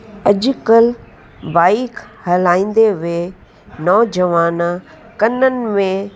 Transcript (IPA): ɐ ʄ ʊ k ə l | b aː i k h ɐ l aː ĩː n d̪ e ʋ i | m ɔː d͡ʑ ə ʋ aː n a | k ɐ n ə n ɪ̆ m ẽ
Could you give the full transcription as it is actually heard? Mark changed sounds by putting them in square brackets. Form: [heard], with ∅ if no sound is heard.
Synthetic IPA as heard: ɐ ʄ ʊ k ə l | b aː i k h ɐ l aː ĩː n d̪ e ʋ [e] | [n] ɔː d͡ʑ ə ʋ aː n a | k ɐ n ə n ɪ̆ m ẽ

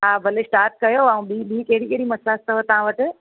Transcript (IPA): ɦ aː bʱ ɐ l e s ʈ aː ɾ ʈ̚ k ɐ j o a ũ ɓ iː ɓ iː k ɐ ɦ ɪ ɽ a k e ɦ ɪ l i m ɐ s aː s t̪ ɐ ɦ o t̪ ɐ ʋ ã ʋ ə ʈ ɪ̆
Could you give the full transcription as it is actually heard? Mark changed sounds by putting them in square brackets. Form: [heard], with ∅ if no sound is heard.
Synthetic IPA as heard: ɦ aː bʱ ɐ l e s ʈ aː ɾ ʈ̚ k ɐ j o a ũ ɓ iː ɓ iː k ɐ ɦ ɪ ɽ [i] k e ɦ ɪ [ɽ] i m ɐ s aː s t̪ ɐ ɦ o t̪ ɐ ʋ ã ʋ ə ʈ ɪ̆

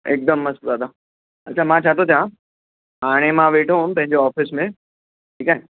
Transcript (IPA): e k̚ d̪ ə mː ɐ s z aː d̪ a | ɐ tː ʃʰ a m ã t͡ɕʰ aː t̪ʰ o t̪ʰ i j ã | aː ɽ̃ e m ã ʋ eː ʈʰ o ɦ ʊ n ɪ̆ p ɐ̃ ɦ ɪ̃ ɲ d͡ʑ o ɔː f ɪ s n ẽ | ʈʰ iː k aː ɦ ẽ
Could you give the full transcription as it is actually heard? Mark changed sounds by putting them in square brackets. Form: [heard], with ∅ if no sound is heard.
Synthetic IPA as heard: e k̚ d̪ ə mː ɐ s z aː d̪ a | ɐ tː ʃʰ a m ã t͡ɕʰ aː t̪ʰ o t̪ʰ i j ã | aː ɽ̃ e m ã ʋ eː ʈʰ o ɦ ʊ n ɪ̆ p ɐ̃ ɦ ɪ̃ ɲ d͡ʑ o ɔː f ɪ s [m] ẽ | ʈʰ iː k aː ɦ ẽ

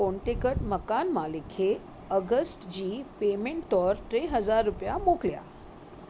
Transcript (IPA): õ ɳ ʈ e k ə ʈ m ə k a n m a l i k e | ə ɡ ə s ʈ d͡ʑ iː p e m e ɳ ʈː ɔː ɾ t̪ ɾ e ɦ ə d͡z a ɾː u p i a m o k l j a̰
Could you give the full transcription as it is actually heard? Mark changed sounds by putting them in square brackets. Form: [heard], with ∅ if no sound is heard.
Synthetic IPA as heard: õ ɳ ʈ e k ə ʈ m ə k a n m a l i [kʰ] e | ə ɡ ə s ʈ d͡ʑ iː p e m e ɳ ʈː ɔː ɾ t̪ ɾ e ɦ ə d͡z a ɾː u p [j] a m o k l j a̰

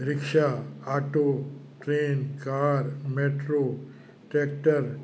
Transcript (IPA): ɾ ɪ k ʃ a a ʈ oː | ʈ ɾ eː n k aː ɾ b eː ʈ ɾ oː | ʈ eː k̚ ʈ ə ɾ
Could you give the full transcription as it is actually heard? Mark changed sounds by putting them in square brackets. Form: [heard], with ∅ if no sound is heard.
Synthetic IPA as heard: ɾ ɪ k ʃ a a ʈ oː | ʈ ɾ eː n k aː ɾ [m] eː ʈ ɾ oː | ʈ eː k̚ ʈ ə ɾ

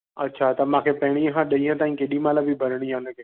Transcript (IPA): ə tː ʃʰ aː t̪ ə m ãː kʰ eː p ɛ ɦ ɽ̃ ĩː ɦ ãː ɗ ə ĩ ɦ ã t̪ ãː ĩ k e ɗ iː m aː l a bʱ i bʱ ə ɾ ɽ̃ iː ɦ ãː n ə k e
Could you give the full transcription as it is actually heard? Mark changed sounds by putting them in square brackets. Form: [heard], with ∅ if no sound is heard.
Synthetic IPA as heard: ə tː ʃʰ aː t̪ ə m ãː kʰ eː p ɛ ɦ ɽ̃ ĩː ɦ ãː ɗ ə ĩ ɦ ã t̪ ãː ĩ k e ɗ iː m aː l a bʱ i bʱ ə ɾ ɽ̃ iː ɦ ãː n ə k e

